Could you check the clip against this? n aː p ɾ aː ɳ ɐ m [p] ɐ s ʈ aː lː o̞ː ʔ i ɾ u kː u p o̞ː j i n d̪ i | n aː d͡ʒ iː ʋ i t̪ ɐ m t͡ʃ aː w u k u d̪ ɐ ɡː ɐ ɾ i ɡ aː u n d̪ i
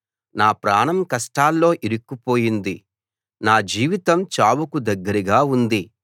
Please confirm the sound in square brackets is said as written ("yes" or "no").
no